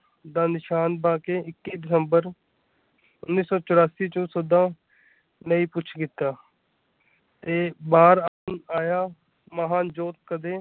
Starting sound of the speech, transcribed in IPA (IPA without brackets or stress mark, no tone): d̪